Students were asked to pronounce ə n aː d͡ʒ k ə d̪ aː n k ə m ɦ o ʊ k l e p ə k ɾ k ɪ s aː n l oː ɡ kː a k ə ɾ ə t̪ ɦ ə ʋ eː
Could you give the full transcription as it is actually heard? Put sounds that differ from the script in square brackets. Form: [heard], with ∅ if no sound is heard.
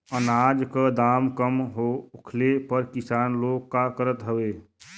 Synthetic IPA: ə n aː d͡ʒ k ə d̪ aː [m] k ə m ɦ o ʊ [kʰ] l e p ə [∅] ɾ k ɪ s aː n l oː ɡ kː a k ə ɾ ə t̪ ɦ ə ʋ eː